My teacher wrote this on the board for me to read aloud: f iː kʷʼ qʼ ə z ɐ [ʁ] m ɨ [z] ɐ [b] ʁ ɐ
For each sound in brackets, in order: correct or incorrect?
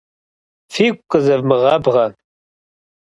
incorrect, incorrect, correct

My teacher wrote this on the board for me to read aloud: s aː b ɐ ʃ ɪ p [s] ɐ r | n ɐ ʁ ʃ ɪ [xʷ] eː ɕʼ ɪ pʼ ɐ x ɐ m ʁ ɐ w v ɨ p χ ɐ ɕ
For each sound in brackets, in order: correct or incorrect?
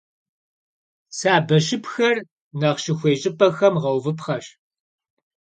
incorrect, correct

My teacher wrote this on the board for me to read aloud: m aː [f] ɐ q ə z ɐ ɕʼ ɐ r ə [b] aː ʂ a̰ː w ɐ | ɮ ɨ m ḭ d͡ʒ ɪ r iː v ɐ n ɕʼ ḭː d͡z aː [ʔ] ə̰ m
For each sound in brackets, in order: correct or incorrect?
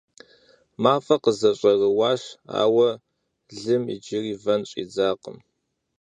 correct, incorrect, incorrect

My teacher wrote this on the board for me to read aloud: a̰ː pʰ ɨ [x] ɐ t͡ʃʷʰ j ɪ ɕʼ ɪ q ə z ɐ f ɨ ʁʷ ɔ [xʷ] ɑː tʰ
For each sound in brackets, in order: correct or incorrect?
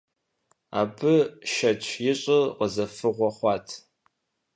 incorrect, incorrect

